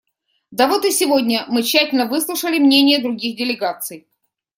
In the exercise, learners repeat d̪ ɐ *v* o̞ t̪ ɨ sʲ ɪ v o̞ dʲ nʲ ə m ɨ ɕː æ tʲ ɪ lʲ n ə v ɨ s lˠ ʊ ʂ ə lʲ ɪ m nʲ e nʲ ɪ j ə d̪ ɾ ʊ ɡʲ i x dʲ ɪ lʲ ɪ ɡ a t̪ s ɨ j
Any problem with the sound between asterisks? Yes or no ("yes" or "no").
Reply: no